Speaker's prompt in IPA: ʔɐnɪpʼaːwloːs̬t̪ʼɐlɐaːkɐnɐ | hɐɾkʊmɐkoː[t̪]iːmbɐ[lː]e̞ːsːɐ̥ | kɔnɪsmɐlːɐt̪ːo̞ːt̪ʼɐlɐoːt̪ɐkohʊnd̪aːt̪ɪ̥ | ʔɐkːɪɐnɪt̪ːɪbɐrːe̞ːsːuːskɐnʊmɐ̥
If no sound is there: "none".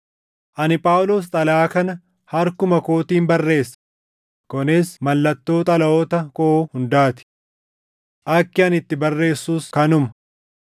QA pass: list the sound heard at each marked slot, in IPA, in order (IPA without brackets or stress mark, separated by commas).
t̪, rː